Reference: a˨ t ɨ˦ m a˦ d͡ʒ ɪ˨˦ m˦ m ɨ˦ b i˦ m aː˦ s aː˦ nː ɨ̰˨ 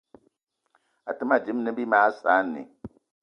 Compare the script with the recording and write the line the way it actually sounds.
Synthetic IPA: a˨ t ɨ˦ m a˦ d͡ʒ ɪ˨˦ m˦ n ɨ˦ b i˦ m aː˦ s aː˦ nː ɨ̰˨

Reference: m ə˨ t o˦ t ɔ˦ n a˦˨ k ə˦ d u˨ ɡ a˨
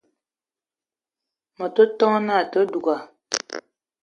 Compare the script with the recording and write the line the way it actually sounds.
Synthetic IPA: m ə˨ t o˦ t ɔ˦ n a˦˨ t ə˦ d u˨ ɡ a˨

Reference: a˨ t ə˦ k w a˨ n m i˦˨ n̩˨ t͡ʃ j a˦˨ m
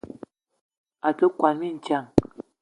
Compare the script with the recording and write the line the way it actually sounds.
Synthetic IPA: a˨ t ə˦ k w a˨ n m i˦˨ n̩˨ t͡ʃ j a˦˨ ŋ

